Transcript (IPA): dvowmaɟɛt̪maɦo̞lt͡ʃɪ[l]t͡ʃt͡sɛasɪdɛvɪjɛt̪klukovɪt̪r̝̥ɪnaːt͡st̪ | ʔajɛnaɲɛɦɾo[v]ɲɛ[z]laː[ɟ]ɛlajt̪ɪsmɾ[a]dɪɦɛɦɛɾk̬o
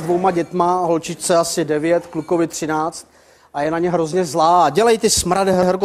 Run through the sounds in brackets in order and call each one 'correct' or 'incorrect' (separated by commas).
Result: incorrect, incorrect, correct, correct, correct